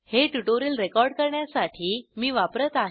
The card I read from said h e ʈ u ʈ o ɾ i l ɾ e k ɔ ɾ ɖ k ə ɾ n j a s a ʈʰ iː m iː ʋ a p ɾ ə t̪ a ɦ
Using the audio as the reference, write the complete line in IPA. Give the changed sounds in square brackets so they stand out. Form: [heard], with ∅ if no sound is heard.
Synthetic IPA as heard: h e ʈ u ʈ o ɾ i l ɾ e k ɔ ɾ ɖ k ə ɾ [ɳ] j a s a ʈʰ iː m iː ʋ a p ɾ ə t̪ a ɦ